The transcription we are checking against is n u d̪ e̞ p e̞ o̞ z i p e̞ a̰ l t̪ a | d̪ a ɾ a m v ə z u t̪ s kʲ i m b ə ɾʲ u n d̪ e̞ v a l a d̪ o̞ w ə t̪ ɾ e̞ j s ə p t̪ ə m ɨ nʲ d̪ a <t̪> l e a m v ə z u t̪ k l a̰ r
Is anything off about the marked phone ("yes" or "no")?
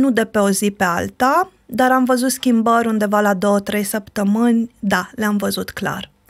yes